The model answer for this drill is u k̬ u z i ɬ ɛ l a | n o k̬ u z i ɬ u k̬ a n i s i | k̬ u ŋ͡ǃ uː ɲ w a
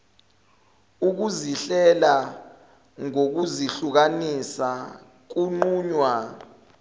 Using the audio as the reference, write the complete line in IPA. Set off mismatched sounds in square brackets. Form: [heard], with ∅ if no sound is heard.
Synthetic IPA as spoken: u k̬ u z i ɬ ɛ l a | [ŋ] o k̬ u z i ɬ u k̬ a n i s [a] | k̬ u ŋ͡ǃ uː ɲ w a